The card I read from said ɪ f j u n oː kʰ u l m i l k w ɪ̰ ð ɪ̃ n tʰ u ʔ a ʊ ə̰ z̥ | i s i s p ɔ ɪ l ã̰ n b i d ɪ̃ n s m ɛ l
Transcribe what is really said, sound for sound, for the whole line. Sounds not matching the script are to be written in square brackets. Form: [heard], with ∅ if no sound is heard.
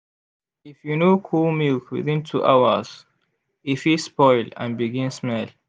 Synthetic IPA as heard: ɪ f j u n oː kʰ u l m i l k w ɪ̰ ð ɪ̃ n tʰ u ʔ a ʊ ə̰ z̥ | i [f] i s p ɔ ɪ l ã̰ n b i [ɡ] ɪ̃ n s m ɛ l